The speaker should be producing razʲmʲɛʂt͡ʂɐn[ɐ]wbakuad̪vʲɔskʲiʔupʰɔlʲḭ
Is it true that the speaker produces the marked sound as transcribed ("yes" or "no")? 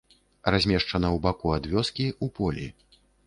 yes